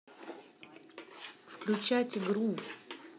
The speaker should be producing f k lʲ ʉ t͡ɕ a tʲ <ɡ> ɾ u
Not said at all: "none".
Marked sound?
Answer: ɡ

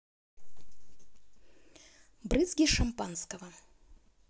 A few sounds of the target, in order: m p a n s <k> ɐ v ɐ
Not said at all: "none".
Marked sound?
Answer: k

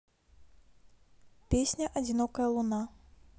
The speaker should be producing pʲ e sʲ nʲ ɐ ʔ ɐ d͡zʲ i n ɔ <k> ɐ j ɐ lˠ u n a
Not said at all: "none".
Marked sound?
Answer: k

